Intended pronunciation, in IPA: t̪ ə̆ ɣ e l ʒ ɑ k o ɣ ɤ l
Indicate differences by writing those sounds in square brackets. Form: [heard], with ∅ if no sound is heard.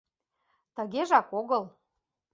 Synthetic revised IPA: t̪ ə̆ ɣ e [∅] ʒ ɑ k o ɣ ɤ l